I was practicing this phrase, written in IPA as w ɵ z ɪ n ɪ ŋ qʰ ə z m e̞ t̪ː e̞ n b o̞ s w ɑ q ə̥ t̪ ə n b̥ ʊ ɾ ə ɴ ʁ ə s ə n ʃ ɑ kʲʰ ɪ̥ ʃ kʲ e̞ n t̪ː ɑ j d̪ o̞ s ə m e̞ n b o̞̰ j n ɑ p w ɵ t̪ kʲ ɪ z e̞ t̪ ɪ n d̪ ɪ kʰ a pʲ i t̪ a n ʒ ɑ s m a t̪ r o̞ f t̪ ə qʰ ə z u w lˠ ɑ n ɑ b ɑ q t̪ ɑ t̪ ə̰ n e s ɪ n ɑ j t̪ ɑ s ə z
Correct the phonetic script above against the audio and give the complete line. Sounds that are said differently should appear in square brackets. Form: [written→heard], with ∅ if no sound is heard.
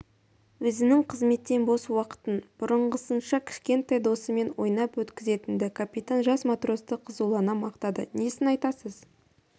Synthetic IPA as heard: w ɵ z ɪ n ɪ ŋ qʰ ə z m e̞ t̪ː e̞ n b o̞ s w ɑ q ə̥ t̪ ə n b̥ ʊ ɾ ə ɴ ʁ ə s ə n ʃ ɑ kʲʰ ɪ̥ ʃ kʲ e̞ n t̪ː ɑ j d̪ o̞ s ə m e̞ n [b→w] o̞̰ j n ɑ p w ɵ t̪ kʲ ɪ z e̞ t̪ ɪ n d̪ ɪ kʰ a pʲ i t̪ a n ʒ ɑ s m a t̪ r o̞ [f→s] t̪ ə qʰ ə z u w lˠ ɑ n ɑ [b→m] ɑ q t̪ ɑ [t̪→d̪] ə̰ n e s ɪ n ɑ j t̪ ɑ s ə z